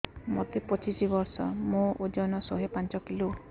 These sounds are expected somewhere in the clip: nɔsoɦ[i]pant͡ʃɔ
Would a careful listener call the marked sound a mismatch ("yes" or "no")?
yes